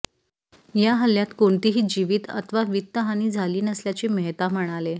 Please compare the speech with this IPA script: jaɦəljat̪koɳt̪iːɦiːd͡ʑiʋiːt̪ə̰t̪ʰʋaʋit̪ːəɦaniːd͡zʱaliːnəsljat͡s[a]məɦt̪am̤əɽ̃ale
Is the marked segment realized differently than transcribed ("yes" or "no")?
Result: yes